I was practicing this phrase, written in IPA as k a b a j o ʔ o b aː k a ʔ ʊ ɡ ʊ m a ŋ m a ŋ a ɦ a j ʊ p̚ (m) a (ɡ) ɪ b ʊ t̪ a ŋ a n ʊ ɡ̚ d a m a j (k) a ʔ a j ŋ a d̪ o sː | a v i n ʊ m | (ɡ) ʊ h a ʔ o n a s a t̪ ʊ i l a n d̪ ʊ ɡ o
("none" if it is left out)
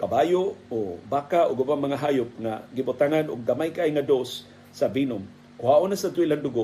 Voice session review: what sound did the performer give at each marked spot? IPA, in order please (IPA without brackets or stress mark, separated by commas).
ŋ, ɡ, k, k